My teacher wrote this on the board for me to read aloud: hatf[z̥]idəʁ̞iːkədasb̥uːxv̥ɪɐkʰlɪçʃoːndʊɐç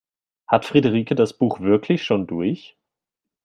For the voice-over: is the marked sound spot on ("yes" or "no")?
no